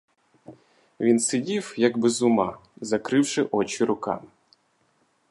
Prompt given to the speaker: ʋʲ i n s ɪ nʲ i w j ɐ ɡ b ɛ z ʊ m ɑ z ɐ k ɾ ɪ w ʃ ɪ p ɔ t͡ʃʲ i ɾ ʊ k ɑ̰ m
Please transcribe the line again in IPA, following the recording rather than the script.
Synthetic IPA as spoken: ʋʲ i n s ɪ dʲ i w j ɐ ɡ b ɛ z ʊ m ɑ z ɐ k ɾ ɪ w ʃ ɪ ʔ ɔ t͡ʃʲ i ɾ ʊ k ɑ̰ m